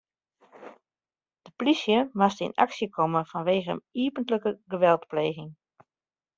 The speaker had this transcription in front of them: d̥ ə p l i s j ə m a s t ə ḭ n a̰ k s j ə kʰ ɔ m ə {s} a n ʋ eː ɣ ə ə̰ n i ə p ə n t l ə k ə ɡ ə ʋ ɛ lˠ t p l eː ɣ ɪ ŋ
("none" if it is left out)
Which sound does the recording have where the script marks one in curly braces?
f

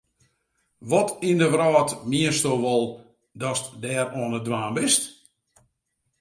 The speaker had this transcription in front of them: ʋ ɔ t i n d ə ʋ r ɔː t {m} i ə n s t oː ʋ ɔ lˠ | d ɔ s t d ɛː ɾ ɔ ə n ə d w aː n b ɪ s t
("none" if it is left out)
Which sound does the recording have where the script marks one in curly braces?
m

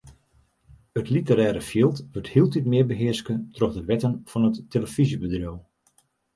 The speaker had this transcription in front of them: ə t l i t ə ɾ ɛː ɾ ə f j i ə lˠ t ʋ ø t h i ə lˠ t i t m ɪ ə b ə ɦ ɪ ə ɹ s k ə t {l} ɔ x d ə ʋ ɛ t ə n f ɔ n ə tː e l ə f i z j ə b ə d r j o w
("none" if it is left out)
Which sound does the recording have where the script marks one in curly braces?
r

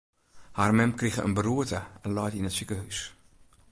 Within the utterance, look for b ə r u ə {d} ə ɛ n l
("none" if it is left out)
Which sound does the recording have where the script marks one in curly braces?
t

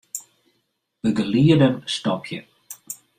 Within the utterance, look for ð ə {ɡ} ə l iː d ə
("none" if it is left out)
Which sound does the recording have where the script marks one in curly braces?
ɡ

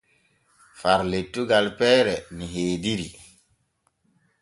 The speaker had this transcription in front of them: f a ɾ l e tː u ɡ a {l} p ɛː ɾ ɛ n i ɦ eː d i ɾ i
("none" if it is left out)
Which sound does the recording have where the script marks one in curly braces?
l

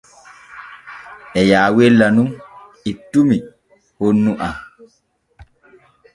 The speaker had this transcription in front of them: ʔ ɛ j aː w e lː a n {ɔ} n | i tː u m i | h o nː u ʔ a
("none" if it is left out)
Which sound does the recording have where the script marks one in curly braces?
u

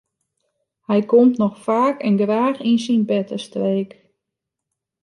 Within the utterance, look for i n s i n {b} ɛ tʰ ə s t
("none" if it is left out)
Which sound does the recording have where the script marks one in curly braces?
b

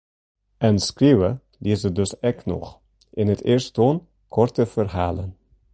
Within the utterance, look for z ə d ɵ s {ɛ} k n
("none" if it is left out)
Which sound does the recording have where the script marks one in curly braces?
ɛ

